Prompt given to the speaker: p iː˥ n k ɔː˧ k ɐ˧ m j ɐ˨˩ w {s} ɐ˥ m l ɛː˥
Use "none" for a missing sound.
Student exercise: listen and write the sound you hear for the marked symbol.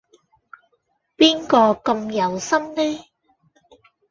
s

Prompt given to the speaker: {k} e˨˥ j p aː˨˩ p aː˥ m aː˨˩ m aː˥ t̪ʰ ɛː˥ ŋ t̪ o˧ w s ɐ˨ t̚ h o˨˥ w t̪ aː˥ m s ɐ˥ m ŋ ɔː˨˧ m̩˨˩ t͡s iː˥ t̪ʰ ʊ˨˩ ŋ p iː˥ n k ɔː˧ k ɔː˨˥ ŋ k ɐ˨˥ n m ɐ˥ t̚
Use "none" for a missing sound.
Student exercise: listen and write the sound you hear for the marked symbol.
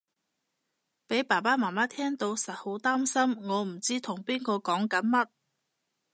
p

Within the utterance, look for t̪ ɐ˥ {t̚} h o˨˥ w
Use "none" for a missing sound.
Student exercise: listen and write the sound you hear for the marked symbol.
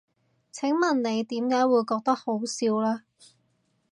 k̚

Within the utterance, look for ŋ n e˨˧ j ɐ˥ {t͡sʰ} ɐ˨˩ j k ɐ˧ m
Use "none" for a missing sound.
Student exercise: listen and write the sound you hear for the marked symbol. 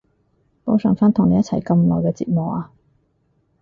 t͡sʰ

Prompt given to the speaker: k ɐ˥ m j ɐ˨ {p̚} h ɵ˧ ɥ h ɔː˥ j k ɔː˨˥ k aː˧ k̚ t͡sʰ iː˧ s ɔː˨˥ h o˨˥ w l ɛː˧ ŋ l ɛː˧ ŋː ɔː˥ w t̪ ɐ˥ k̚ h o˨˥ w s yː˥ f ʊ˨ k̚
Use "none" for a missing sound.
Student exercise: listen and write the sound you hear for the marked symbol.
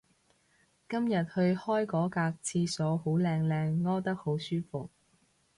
t̚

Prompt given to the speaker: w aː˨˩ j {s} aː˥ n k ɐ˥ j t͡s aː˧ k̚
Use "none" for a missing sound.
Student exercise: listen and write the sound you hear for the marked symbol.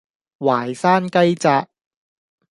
s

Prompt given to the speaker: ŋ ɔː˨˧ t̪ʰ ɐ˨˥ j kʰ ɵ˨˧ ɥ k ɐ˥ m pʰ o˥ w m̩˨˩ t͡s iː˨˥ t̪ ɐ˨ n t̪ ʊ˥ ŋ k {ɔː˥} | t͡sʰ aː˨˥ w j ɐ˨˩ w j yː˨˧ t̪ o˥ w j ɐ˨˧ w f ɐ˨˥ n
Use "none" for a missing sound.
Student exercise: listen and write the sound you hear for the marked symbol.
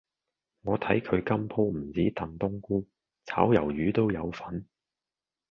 uː˥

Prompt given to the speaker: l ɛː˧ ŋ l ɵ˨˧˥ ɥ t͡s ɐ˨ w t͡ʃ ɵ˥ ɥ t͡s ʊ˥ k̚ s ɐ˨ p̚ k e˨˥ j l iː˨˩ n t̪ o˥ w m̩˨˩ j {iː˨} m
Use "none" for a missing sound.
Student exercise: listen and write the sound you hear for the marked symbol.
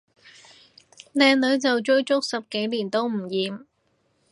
iː˨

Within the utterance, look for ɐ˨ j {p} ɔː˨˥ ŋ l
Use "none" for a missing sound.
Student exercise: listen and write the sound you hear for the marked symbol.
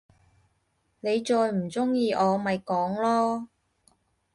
k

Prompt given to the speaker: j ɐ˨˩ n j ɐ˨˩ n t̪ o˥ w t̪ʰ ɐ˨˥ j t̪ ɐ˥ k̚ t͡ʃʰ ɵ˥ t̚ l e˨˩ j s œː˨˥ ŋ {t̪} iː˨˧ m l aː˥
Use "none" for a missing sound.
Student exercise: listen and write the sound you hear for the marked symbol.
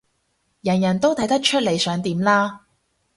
t̪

